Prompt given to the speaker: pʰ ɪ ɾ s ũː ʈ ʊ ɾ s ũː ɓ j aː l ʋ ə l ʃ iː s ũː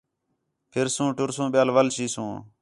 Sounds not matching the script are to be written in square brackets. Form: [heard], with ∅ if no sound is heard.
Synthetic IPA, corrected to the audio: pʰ ɪ ɾ s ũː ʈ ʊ ɾ s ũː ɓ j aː l ʋ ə l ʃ iː s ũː